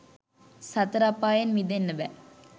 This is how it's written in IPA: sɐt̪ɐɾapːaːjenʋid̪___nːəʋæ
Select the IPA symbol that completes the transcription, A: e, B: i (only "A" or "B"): A